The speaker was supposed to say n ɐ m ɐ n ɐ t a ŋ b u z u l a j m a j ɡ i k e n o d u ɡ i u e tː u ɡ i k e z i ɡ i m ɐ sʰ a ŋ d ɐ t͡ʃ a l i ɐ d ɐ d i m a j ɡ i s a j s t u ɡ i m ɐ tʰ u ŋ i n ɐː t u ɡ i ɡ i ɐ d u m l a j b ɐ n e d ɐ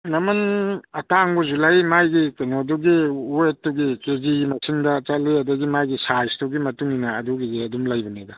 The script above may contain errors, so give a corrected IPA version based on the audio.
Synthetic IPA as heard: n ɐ m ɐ n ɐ t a ŋ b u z u l a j m a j ɡ i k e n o d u ɡ i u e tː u ɡ i k e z i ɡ i m ɐ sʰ i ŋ d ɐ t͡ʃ a l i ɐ d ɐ ɡ i m a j ɡ i s a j s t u ɡ i m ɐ t u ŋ i n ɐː d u ɡ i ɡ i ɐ d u m l a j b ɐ n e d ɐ